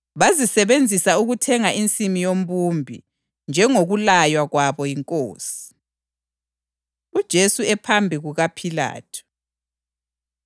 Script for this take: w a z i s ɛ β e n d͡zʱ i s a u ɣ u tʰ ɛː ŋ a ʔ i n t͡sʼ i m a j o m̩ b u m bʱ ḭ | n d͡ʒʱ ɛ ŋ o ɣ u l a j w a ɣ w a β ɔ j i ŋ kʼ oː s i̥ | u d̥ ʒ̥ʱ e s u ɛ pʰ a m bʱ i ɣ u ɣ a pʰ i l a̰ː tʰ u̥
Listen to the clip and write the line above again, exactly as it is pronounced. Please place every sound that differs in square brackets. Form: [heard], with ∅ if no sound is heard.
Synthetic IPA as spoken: [β] a z i s ɛ β e n d͡zʱ i s a u ɣ u tʰ [ɛ] ŋ a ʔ i n t͡sʼ i m [i] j o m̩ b u m bʱ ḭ | n d͡ʒʱ ɛ ŋ o ɣ u l a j w a ɣ w a β ɔ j i ŋ kʼ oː s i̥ | u d̥ ʒ̥ʱ e s u ɛ pʰ a m bʱ i ɣ u ɣ a pʰ i l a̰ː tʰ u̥